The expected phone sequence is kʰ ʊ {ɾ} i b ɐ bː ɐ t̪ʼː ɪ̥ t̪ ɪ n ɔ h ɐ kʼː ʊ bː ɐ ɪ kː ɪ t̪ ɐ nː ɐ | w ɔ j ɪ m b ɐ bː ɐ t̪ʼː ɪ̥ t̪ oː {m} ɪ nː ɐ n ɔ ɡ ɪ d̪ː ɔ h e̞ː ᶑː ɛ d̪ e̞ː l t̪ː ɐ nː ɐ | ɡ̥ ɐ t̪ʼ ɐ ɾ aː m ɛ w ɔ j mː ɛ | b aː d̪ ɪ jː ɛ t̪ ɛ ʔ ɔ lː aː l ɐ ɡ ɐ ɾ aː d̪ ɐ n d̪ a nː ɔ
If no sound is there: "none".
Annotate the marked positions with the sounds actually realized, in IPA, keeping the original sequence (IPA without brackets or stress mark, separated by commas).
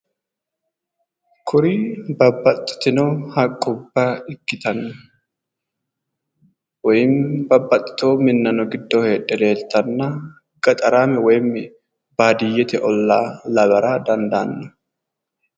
ɾ, m